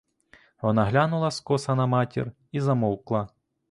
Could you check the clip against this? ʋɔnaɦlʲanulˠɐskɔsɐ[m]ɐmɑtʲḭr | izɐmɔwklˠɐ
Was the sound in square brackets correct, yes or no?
no